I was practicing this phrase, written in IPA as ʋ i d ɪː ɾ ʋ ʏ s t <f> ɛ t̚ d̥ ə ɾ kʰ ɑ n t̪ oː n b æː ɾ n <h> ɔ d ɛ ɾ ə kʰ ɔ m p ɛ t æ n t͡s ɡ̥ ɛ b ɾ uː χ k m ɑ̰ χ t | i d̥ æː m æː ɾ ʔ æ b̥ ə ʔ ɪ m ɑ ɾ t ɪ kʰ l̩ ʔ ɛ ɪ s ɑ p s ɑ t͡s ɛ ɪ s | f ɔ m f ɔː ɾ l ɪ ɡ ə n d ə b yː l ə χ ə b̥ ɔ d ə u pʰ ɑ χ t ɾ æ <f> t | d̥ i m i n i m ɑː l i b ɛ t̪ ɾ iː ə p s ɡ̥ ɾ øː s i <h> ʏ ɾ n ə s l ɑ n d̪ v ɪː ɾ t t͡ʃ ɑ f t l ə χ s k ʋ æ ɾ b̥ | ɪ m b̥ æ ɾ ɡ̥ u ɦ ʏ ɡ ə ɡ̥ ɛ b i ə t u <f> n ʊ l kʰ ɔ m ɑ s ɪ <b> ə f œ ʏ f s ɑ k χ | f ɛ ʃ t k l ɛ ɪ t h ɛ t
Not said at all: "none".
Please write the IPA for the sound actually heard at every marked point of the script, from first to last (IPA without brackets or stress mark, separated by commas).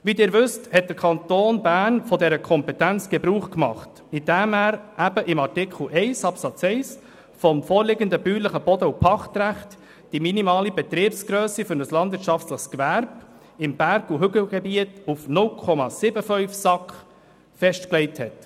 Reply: h, f, χ, f, f, b